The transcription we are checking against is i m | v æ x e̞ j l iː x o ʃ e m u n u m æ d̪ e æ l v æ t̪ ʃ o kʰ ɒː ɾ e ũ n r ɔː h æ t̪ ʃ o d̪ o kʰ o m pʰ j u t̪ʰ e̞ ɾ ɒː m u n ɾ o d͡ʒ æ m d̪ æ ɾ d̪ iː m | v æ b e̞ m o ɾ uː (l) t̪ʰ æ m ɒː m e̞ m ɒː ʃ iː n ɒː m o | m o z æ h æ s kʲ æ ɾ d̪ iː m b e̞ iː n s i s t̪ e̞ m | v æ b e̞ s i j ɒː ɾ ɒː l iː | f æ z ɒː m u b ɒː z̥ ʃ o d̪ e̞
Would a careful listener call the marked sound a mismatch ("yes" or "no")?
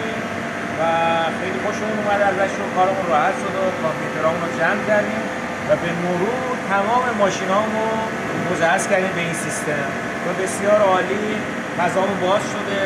yes